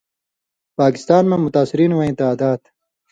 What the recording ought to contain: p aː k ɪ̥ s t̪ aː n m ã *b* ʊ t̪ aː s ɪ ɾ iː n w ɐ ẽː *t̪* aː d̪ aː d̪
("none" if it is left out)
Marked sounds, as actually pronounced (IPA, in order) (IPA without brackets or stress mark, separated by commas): m, t̪